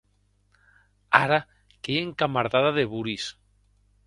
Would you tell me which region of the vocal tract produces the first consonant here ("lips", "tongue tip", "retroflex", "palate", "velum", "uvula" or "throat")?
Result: tongue tip